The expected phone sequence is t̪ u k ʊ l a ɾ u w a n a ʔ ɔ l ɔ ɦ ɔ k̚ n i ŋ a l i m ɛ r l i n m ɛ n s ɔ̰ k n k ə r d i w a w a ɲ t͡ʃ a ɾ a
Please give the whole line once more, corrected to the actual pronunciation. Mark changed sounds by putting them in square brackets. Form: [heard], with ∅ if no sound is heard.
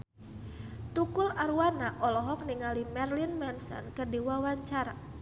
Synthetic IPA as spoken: t̪ u k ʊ l a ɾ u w a n a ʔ ɔ l ɔ ɦ ɔ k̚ n i ŋ a l i m ɛ r l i n m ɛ n s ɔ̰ [∅] n k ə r d i w a w a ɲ t͡ʃ a ɾ a